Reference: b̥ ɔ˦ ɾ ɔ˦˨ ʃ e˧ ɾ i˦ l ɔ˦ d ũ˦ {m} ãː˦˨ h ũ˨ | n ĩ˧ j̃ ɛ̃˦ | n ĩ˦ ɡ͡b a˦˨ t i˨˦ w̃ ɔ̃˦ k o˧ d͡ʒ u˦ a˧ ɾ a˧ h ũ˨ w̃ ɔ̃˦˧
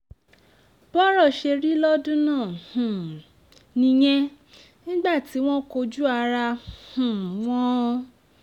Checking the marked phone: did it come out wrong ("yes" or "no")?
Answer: yes